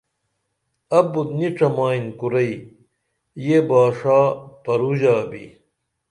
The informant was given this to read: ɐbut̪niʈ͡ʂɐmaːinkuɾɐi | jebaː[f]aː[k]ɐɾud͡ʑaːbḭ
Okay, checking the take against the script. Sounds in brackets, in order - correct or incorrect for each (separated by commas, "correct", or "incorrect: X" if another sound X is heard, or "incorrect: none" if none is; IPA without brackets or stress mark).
incorrect: ʂ, incorrect: p